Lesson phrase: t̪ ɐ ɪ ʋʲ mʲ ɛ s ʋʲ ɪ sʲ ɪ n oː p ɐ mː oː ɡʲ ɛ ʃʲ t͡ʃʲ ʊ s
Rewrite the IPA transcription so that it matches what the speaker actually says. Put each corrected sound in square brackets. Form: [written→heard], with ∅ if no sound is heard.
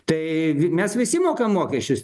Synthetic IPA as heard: t̪ ɐ ɪ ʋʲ mʲ ɛ s ʋʲ ɪ sʲ ɪ [n→m] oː [p→k] ɐ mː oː [ɡʲ→kʲ] ɛ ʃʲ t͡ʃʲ ʊ s

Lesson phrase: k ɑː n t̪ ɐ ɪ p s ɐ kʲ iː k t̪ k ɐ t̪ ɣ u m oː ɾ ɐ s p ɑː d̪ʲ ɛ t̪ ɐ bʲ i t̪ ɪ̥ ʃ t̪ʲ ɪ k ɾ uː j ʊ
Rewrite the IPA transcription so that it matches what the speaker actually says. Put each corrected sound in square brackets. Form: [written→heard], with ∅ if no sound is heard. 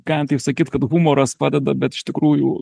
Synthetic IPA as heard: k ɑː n t̪ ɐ ɪ p s ɐ kʲ iː [k→∅] t̪ k ɐ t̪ ɣ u m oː ɾ ɐ s p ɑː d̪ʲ ɛ [t̪→d̪] ɐ bʲ [i→ɛ] t̪ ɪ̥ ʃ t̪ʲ ɪ k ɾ uː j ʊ

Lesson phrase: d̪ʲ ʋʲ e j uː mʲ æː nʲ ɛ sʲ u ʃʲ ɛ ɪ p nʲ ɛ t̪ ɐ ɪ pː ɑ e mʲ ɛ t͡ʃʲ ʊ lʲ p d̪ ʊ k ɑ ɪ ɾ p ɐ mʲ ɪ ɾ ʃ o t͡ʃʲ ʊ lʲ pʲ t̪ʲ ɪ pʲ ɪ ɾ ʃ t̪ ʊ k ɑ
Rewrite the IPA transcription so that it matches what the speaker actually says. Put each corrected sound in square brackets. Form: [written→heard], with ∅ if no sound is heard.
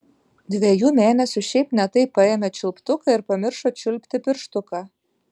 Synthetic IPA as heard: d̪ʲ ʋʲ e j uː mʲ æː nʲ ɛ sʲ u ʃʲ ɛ ɪ p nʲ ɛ t̪ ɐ ɪ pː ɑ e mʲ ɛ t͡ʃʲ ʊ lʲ p [d̪→t̪] ʊ k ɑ ɪ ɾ p ɐ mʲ ɪ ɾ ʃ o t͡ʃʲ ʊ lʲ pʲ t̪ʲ ɪ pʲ ɪ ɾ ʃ t̪ ʊ k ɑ

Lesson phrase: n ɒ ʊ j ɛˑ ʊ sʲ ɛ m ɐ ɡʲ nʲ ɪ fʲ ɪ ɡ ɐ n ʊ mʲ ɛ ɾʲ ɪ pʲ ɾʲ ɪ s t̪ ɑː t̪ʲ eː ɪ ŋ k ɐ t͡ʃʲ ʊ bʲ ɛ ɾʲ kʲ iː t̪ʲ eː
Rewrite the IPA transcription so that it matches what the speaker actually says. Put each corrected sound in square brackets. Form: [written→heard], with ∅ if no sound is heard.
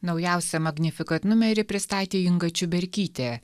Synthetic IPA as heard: n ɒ ʊ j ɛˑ ʊ sʲ ɛ m ɐ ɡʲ nʲ ɪ fʲ ɪ [ɡ→k] ɐ n ʊ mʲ ɛ ɾʲ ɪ pʲ ɾʲ ɪ s t̪ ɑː t̪ʲ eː ɪ ŋ [k→ɡ] ɐ t͡ʃʲ ʊ bʲ ɛ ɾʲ kʲ iː t̪ʲ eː

